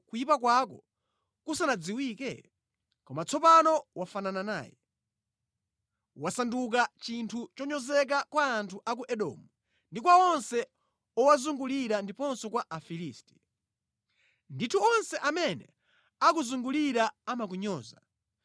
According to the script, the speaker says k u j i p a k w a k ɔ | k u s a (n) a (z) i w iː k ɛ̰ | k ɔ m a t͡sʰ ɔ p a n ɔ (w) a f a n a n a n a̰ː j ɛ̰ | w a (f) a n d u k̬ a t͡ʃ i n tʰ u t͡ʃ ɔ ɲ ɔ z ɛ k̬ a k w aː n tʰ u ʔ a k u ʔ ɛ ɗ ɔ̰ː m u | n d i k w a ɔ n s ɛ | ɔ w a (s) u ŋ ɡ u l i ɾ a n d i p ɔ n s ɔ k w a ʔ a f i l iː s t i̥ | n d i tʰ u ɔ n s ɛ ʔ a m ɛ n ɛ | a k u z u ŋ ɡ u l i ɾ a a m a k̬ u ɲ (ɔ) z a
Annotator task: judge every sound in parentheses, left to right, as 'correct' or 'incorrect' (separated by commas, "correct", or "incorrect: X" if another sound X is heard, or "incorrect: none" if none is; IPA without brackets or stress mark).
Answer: correct, incorrect: d͡z, correct, incorrect: s, incorrect: z, incorrect: ɔː